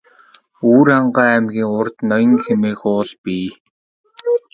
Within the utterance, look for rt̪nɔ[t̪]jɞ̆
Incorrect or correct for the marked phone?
incorrect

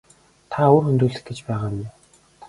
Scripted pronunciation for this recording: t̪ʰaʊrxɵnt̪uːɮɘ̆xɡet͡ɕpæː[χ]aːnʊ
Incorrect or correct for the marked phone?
incorrect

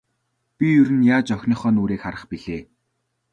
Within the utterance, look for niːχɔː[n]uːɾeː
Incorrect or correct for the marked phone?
correct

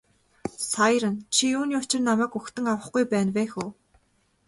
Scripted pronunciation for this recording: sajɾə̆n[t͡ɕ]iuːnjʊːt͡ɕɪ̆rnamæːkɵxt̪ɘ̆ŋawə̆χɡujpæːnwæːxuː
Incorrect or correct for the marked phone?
incorrect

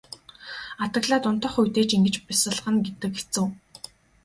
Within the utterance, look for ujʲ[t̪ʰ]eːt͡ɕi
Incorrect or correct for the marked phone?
incorrect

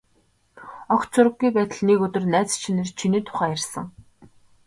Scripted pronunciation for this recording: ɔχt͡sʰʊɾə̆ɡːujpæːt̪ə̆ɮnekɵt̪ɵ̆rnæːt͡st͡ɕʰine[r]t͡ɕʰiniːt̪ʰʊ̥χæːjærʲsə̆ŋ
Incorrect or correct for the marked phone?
correct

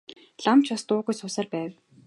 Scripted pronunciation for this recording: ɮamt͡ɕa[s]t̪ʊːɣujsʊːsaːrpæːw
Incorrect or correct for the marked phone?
correct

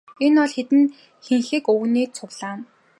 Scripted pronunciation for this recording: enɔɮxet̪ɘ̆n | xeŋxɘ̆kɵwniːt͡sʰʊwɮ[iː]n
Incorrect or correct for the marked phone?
incorrect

